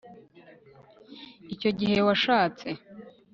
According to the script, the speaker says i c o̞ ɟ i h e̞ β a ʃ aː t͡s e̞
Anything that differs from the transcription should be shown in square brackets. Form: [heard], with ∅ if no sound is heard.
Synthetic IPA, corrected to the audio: i c o̞ ɟ i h e̞ [w] a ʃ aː t͡s e̞